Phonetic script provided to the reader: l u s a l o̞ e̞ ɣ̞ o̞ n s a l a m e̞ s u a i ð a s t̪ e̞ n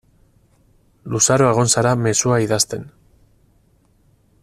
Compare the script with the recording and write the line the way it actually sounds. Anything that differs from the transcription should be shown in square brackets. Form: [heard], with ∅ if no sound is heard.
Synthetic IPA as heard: l u s a [ɾ] o̞ e̞ ɣ̞ o̞ n s a [ɾ] a m e̞ s u a i ð a s t̪ e̞ n